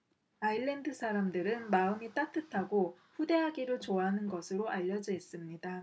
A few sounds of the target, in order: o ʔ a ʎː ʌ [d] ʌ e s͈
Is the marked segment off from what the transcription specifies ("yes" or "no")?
yes